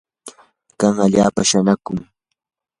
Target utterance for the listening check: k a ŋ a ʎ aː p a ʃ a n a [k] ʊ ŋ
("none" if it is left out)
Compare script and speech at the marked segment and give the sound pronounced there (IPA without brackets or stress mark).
k